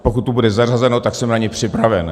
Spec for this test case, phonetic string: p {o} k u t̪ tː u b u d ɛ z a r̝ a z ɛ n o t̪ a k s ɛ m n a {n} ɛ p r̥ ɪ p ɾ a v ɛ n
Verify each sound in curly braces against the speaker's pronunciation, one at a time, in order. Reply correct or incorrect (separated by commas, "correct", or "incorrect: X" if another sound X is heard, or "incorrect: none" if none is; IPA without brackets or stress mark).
correct, incorrect: ɲ